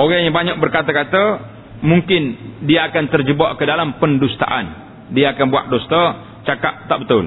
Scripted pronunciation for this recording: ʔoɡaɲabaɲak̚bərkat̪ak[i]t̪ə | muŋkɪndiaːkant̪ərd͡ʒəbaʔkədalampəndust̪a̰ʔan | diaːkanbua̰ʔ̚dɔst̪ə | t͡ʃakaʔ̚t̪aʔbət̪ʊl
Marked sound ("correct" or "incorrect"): incorrect